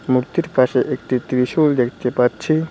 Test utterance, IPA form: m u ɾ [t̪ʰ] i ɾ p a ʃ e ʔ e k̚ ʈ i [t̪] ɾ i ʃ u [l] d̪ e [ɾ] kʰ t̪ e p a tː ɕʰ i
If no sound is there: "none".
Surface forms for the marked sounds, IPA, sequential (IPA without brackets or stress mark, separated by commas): t̪, t̪, l, none